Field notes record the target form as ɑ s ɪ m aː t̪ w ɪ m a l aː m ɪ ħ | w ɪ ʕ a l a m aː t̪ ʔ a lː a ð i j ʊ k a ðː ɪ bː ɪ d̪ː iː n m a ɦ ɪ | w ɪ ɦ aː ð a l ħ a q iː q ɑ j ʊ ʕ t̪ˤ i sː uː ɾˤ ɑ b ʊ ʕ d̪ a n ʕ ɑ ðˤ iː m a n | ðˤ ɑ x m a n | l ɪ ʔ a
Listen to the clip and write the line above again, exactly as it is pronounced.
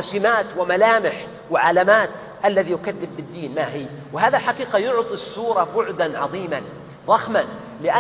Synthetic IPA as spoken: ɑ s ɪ m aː t̪ w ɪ m a l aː m ɪ ħ | w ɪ ʕ a l a m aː t̪ ʔ a lː a ð i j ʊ k a ðː ɪ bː ɪ d̪ː iː n m a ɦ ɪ | w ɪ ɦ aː ð a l ħ a q iː q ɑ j ʊ ʕ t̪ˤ i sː uː ɾˤ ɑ b ʊ ʕ d̪ a n ʕ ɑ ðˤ iː m a n | ðˤ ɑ x m a n | l ɪ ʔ a